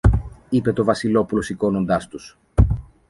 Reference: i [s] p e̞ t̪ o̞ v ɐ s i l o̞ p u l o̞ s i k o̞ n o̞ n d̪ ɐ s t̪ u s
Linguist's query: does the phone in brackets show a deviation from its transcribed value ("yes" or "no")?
yes